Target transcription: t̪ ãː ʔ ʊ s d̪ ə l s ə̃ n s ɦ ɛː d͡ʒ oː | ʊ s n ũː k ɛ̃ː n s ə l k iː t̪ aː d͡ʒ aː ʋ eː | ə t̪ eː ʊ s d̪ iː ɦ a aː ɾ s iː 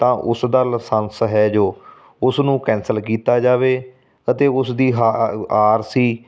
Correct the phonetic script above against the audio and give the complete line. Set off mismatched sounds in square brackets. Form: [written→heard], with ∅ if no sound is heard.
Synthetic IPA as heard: t̪ ãː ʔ ʊ s d̪ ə l s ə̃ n s ɦ ɛː d͡ʒ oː | ʊ s n ũː k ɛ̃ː n s ə l k iː t̪ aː d͡ʒ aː ʋ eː | ə t̪ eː ʊ s d̪ iː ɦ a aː ɾ s iː